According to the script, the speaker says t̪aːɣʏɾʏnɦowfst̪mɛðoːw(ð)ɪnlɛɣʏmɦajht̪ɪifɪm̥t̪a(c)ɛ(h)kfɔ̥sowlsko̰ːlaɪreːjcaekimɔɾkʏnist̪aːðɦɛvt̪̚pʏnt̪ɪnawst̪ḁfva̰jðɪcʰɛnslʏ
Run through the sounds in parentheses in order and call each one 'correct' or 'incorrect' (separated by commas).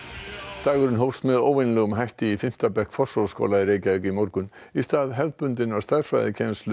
incorrect, incorrect, correct